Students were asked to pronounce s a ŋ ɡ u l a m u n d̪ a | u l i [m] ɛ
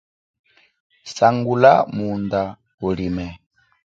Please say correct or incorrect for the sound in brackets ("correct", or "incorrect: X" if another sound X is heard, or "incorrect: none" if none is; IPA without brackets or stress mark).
correct